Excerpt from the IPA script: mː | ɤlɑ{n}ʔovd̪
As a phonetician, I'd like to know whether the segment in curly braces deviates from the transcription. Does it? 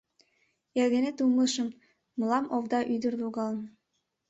yes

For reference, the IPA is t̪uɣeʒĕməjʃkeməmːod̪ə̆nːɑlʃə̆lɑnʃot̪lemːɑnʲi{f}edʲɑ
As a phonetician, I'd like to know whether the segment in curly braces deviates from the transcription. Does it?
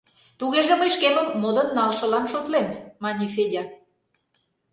no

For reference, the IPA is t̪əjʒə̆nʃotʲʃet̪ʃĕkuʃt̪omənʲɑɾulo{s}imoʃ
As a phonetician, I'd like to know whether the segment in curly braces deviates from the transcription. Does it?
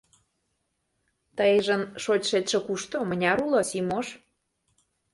no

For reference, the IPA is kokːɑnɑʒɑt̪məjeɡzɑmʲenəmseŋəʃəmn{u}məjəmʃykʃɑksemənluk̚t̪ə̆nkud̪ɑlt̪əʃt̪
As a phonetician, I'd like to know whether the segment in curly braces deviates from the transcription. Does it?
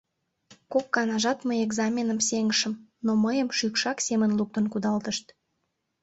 yes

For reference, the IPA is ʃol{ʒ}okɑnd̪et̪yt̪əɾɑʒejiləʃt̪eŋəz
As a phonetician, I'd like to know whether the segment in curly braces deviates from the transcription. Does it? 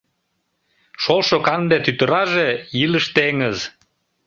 yes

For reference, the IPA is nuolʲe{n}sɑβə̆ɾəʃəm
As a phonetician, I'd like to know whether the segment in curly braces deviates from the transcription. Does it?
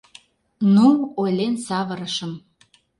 no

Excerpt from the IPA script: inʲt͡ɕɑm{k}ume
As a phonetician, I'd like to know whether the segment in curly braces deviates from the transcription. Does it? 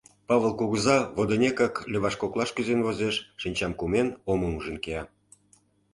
no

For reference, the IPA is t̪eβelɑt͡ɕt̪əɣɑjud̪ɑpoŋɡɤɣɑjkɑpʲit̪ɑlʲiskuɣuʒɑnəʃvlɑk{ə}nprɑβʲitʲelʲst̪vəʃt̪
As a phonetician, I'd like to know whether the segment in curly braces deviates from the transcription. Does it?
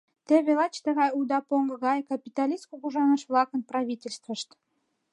no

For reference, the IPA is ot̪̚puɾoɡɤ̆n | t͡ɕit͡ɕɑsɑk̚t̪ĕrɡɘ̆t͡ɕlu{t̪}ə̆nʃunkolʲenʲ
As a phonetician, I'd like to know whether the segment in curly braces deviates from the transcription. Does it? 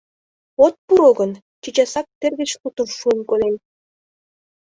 no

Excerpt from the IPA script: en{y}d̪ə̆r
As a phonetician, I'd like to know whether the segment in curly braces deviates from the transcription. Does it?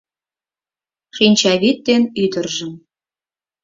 no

